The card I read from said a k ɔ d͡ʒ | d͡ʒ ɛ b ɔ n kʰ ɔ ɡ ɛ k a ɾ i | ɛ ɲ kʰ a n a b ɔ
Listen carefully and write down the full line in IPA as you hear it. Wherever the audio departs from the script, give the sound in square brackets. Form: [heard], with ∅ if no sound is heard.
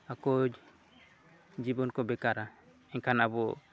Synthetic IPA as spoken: a k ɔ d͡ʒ | d͡ʒ [i] b ɔ n [k] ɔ [b] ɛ k a ɾ [a] | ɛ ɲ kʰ a n a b ɔ